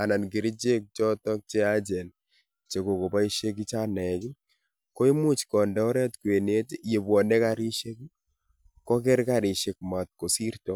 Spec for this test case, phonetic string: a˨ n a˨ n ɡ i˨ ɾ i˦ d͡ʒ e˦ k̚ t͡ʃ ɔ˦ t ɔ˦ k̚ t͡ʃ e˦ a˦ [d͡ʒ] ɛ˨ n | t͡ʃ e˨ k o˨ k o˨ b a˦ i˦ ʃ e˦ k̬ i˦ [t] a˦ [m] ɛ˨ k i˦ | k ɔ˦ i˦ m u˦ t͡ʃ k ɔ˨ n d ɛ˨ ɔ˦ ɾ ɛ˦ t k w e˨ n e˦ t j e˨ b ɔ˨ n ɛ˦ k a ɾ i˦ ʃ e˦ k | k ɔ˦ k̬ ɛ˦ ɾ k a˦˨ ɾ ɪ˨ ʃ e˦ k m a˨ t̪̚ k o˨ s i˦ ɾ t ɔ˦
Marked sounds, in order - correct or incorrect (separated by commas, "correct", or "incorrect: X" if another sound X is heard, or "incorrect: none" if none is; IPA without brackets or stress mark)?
correct, incorrect: t͡ʃ, incorrect: n